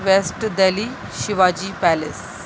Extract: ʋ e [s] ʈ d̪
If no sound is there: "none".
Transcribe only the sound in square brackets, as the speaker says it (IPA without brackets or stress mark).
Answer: s